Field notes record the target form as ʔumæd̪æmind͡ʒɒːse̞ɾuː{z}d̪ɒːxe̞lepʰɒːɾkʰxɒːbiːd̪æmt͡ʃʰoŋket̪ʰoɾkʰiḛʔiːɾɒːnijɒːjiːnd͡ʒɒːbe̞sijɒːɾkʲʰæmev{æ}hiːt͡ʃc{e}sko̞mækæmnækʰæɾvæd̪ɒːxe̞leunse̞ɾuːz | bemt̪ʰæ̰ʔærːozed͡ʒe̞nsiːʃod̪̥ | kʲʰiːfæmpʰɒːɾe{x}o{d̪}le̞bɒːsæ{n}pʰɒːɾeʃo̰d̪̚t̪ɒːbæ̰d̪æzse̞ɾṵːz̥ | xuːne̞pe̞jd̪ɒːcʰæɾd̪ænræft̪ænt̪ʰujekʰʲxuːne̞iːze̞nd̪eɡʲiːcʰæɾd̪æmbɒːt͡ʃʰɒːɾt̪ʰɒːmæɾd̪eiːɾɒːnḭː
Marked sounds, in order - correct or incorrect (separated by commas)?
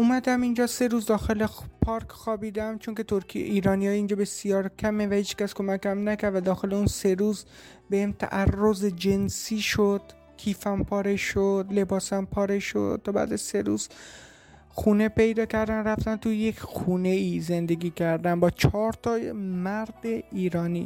correct, correct, incorrect, incorrect, correct, incorrect